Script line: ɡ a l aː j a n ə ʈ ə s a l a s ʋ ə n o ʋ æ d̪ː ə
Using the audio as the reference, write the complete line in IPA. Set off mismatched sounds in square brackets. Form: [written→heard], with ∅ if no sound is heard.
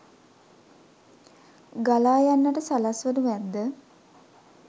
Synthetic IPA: ɡ a l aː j a [n→nː] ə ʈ ə s a l a s ʋ ə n [o→u] ʋ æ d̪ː ə